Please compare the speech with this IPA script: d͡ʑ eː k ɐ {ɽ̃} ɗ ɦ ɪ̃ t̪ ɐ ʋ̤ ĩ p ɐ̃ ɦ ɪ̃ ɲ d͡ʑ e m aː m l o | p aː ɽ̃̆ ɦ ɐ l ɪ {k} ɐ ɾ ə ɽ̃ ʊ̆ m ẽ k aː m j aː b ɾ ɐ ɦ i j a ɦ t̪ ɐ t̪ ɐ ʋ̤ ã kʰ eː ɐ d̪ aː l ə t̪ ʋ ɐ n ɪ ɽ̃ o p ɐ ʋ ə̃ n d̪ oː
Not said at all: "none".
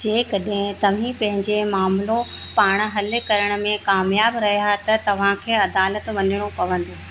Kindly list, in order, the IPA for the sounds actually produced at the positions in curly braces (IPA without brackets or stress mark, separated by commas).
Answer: none, k